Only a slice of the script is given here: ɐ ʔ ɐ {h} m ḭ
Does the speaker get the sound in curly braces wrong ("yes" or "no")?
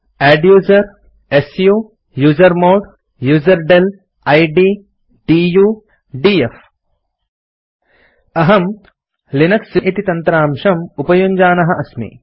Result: yes